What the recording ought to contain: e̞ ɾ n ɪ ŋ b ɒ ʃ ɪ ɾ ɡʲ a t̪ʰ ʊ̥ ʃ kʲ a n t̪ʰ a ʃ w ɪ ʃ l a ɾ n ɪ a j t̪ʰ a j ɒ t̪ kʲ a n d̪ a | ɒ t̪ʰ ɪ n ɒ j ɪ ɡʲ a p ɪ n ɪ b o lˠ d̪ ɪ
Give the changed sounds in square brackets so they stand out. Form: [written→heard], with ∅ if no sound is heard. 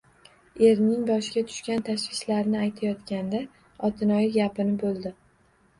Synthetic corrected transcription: e̞ ɾ n ɪ ŋ b ɒ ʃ ɪ [ɾ→∅] ɡʲ a t̪ʰ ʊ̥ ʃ kʲ a n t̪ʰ a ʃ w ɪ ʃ l a ɾ n ɪ a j t̪ʰ a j ɒ t̪ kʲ a n d̪ a | ɒ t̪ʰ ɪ n ɒ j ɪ ɡʲ a p ɪ n ɪ b o lˠ d̪ ɪ